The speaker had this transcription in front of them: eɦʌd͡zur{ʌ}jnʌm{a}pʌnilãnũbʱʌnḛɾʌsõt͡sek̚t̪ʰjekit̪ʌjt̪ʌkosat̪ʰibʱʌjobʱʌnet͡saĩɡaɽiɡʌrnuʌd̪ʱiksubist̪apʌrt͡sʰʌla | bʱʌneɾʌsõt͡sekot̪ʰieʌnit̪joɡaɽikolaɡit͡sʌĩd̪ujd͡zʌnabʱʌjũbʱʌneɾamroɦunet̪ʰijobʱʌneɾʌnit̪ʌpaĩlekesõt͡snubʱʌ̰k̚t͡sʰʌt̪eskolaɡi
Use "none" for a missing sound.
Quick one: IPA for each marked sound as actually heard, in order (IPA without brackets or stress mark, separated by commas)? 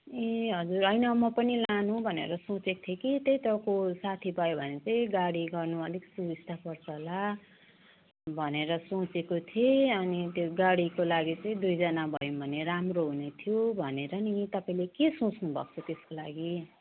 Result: ʌ, ʌ